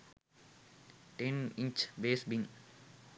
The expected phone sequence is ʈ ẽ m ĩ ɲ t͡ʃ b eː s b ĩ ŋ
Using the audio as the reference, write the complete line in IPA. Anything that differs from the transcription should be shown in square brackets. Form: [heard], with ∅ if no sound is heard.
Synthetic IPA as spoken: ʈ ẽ [n] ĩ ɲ t͡ʃ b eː s b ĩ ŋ